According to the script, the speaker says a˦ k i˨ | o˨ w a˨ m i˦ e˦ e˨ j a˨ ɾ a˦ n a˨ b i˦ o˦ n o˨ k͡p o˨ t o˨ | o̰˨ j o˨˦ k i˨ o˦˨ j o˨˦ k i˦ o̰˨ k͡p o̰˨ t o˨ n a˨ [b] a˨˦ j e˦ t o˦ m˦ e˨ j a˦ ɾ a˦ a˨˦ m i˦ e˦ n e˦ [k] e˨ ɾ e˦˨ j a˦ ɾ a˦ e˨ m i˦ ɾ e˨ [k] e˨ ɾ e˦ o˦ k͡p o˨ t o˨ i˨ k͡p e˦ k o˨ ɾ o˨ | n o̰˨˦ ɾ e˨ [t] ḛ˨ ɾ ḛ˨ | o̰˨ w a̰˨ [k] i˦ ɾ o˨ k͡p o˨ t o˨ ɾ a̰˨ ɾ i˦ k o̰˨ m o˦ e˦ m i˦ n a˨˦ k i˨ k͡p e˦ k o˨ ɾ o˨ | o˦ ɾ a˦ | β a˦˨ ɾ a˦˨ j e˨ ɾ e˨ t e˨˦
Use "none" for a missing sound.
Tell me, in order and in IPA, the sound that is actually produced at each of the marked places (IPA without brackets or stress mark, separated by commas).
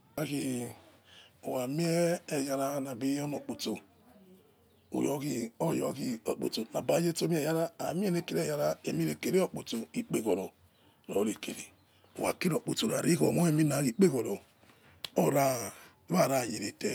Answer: b, k, k, k, k